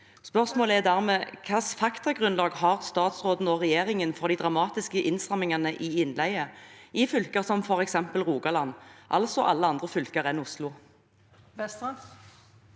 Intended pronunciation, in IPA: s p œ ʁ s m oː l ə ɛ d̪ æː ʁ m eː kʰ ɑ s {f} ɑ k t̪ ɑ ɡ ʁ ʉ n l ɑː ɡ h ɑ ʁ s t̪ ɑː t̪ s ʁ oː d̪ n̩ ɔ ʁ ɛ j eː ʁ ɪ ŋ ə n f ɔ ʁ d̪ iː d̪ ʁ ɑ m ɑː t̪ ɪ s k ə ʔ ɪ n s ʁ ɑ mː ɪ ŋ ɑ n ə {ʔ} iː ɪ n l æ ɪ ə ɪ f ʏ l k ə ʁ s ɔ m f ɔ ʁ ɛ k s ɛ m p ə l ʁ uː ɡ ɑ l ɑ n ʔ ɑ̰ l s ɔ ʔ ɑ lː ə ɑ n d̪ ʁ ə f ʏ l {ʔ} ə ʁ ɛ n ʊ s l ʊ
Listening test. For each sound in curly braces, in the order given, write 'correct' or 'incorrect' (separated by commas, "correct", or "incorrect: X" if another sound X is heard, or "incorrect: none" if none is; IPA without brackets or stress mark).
correct, correct, incorrect: k